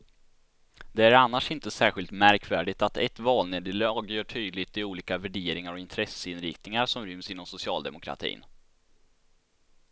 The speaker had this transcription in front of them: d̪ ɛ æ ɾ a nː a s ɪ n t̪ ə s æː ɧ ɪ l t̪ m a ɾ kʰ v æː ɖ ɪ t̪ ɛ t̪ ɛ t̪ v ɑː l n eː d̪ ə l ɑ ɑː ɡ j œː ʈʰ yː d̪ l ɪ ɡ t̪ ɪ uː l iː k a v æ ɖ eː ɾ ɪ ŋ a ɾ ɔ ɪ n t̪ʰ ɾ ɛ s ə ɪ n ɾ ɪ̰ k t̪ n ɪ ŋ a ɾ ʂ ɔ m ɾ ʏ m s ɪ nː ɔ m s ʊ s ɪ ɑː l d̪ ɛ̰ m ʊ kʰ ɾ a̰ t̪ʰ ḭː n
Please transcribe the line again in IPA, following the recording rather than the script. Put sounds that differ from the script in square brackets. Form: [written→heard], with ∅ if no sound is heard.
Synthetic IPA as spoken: d̪ ɛ æ ɾ a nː a [s→ʂ] ɪ n t̪ ə s æː ɧ ɪ l t̪ m [a→æ] ɾ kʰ v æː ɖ ɪ t̪ [ɛ→a] t̪ ɛ t̪ v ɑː l n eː d̪ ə l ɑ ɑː ɡ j œː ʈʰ yː d̪ l ɪ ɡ t̪ ɪ uː l iː k a v æ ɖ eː ɾ ɪ ŋ a ɾ ɔ ɪ n t̪ʰ ɾ ɛ s ə ɪ n ɾ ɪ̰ k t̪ n ɪ ŋ a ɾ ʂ ɔ m ɾ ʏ m s ɪ nː ɔ m s ʊ s ɪ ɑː l d̪ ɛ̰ m ʊ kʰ ɾ a̰ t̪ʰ ḭː n